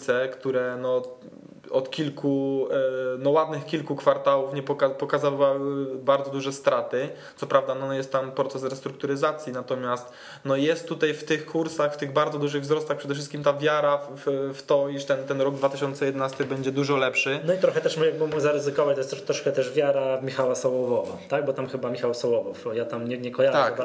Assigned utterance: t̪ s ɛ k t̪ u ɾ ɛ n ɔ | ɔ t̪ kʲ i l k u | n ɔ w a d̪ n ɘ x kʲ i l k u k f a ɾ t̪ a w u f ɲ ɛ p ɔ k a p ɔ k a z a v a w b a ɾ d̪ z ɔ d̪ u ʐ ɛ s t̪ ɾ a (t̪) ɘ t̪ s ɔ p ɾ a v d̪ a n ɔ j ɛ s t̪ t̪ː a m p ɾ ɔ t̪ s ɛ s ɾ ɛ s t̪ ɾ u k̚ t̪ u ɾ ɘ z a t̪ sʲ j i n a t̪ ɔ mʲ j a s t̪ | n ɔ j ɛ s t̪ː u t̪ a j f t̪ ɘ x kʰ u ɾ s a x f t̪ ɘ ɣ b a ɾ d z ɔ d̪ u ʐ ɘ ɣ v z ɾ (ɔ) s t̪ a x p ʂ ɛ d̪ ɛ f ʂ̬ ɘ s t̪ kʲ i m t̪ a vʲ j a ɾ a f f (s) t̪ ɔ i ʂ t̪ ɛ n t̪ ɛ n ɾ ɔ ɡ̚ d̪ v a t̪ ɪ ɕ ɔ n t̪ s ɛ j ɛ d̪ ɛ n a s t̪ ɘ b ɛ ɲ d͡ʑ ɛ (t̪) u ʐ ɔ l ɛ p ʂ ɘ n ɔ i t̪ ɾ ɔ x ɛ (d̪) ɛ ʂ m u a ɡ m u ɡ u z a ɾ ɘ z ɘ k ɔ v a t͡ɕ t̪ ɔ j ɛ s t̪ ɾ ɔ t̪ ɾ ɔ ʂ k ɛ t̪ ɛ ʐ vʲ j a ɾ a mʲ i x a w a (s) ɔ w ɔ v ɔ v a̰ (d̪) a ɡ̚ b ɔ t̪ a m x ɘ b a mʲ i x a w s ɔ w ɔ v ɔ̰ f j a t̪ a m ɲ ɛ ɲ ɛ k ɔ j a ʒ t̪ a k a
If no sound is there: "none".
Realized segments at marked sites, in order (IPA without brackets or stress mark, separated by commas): t̪, ɔ, f, d̪, t̪, s, t̪